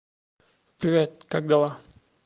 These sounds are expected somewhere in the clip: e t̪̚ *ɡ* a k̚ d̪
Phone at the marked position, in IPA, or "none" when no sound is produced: k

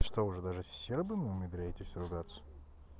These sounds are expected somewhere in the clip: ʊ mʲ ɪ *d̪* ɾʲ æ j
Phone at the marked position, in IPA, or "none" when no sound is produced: d̪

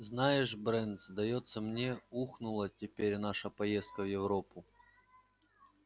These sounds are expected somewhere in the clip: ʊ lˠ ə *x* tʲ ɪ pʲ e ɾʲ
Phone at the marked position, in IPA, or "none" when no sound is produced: none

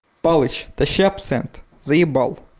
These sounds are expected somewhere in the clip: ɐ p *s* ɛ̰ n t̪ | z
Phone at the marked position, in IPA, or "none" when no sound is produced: s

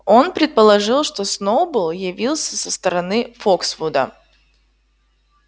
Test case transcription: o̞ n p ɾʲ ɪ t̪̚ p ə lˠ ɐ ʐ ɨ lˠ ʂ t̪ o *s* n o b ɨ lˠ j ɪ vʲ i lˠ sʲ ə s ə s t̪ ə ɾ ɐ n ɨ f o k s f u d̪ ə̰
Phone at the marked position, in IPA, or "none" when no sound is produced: s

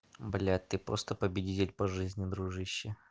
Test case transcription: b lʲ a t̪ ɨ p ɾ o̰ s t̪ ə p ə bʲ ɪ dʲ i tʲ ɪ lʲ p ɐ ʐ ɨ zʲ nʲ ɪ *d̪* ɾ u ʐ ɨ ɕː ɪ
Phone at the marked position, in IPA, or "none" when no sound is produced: d̪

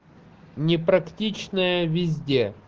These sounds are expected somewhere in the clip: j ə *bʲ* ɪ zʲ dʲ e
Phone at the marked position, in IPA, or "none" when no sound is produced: vʲ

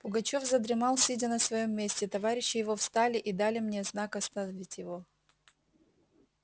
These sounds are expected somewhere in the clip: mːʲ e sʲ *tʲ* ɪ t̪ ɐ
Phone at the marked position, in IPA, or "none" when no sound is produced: tʲ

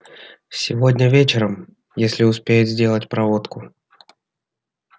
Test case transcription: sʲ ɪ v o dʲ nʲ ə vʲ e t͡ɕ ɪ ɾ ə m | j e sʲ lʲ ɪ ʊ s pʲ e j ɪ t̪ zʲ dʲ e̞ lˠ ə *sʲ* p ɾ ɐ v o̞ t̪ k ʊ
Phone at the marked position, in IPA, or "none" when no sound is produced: tʲ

